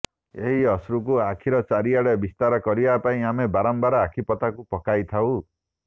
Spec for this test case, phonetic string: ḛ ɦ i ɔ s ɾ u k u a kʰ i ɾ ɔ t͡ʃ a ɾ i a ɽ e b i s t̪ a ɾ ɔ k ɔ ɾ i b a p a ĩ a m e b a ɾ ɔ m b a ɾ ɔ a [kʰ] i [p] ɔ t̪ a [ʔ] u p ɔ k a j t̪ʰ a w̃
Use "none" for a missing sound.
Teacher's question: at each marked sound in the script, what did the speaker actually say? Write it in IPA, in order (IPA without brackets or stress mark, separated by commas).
kʰ, p, k